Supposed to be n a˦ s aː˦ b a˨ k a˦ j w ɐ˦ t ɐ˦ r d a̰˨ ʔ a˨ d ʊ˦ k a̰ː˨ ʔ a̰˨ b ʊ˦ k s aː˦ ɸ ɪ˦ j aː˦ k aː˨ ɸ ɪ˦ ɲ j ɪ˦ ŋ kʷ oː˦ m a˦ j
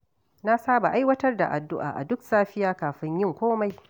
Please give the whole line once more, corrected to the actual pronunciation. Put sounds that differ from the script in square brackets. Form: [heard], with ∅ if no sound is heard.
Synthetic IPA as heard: n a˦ s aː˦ b a˨ [ʔ] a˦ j w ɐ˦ t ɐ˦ r d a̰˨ ʔ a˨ d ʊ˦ [ʔ] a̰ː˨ ʔ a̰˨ [d] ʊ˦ k s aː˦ ɸ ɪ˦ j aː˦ k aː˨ ɸ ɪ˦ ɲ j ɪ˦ ŋ kʷ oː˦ m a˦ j